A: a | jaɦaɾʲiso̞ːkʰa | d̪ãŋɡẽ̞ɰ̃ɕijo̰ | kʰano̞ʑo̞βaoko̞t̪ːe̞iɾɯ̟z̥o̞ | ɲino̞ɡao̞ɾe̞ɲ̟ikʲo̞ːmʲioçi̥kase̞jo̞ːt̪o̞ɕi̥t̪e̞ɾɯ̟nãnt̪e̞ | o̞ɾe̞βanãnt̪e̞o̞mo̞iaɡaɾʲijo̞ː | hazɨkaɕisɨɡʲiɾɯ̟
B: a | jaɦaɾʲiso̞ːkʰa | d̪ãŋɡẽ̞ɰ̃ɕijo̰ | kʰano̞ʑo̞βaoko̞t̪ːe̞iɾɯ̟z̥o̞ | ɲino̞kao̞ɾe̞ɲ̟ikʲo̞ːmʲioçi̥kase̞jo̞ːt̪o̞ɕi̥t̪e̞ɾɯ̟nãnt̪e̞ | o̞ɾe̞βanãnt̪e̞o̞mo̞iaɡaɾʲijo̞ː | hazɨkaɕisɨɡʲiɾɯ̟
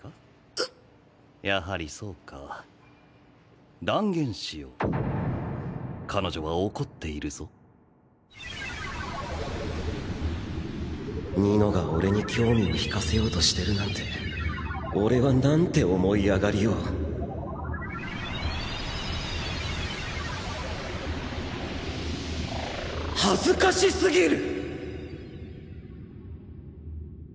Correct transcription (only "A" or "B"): A